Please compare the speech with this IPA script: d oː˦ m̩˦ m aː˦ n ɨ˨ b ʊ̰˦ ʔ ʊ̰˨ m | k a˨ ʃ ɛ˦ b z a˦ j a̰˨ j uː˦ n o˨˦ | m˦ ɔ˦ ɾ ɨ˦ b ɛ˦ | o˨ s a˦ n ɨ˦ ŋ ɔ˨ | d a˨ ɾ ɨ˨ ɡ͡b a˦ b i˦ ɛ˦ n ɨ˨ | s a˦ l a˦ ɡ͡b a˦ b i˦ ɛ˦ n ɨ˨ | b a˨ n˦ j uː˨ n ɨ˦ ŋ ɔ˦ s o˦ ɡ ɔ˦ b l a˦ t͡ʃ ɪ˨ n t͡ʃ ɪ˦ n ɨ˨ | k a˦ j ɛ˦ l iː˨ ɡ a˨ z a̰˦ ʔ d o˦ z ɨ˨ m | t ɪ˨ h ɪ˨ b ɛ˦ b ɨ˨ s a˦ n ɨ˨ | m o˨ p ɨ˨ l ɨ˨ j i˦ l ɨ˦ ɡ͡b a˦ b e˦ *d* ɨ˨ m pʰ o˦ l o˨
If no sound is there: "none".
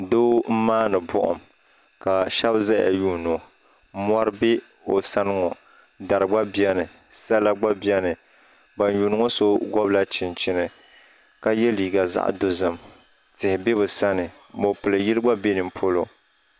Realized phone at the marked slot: n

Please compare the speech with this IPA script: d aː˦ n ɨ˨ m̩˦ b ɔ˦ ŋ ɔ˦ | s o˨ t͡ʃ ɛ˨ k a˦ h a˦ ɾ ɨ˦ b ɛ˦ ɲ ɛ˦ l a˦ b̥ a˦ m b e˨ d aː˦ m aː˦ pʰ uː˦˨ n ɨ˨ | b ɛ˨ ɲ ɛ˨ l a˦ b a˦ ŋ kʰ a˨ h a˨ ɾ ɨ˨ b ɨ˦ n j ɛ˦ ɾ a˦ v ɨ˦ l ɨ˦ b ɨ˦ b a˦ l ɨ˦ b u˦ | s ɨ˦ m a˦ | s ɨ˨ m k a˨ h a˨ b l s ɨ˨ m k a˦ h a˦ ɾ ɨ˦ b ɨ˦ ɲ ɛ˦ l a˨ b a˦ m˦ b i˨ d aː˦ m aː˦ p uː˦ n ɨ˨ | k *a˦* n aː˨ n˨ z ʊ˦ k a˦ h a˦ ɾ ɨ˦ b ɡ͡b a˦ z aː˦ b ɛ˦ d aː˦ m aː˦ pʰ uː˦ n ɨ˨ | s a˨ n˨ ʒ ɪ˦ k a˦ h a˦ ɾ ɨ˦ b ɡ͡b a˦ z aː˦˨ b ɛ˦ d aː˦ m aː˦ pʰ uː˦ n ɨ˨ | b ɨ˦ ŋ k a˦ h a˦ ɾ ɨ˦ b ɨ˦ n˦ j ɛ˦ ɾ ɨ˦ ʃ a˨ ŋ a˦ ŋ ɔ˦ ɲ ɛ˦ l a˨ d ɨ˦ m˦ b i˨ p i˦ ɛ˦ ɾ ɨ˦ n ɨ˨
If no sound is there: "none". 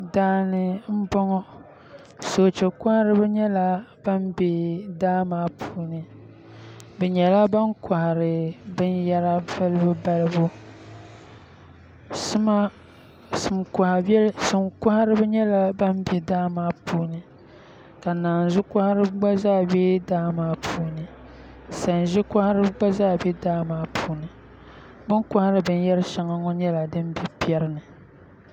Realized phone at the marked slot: a˨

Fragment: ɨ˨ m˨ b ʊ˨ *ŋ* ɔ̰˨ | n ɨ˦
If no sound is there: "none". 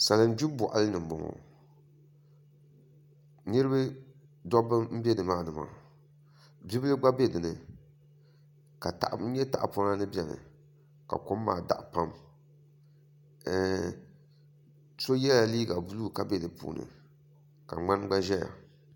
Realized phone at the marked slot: ŋ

